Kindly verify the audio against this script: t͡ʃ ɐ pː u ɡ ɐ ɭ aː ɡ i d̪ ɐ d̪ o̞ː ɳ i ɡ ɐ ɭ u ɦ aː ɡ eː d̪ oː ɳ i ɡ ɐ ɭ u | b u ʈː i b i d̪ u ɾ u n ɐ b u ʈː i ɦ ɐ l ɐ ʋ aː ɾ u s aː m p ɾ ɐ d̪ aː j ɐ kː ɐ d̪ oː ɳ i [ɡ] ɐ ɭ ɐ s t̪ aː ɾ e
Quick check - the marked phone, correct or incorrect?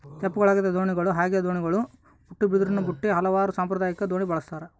incorrect